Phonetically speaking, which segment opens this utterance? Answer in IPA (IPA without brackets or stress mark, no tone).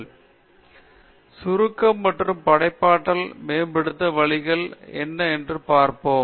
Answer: s